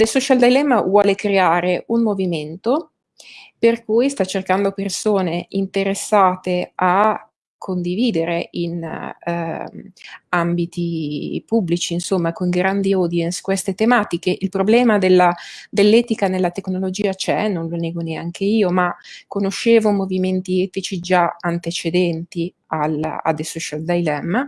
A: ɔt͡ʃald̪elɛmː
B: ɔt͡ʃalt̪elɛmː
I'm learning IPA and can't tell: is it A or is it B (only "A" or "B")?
A